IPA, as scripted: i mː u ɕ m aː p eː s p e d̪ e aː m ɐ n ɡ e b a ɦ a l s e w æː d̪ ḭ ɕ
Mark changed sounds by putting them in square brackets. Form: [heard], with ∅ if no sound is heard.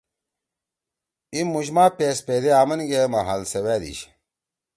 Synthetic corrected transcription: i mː u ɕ m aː p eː s p e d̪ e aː m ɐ n ɡ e [m] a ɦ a l s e w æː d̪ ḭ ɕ